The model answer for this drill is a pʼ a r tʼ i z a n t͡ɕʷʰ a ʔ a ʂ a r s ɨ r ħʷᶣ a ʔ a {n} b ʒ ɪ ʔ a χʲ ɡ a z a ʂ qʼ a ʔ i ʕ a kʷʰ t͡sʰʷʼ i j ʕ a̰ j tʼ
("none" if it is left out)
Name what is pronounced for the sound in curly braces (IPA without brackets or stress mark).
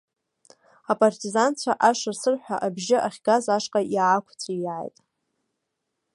none